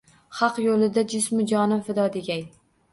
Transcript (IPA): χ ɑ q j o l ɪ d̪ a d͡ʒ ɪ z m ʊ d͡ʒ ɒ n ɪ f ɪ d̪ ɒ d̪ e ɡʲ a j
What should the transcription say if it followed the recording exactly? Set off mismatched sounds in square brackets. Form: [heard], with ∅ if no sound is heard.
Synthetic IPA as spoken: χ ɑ q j o l ɪ d̪ a d͡ʒ ɪ [s] m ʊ d͡ʒ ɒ n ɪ f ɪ d̪ ɒ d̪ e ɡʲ a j